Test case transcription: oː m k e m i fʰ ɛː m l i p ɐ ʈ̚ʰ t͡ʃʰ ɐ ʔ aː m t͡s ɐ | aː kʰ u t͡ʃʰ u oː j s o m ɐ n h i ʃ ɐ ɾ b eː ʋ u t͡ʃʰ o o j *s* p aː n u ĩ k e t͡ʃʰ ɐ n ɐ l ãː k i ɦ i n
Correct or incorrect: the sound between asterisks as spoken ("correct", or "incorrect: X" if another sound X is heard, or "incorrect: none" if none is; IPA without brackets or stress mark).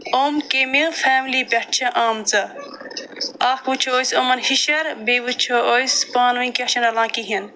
correct